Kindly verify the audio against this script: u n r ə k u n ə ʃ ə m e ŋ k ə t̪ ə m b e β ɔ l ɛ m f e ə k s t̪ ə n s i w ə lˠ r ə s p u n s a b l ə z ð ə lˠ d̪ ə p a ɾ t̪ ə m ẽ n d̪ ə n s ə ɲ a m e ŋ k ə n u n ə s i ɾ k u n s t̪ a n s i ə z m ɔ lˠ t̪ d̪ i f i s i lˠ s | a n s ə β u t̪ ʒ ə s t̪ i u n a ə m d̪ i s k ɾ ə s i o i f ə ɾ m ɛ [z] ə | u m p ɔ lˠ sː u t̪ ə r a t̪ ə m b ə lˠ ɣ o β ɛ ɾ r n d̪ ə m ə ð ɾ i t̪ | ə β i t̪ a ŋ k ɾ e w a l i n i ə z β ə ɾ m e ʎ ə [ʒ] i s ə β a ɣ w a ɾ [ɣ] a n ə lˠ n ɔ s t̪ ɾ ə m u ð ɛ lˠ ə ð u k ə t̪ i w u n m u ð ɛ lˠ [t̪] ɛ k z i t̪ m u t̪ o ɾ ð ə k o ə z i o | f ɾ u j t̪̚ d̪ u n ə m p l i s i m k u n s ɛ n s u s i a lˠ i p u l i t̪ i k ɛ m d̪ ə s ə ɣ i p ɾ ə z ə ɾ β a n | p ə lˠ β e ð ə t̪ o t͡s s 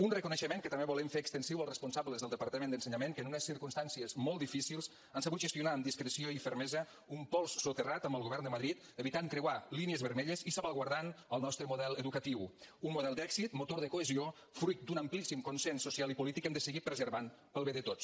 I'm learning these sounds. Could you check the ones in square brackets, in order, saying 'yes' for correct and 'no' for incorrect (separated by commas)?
yes, no, no, no